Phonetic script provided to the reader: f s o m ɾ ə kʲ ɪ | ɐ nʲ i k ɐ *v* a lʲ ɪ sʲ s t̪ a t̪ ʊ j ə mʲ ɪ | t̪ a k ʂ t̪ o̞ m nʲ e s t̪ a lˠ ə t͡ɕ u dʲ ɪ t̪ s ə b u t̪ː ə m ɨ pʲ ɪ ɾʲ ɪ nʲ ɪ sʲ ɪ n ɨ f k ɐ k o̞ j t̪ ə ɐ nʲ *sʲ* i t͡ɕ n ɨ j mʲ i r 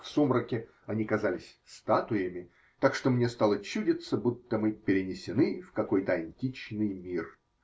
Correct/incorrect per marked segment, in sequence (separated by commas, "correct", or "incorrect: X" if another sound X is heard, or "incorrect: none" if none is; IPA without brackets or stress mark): incorrect: z, incorrect: tʲ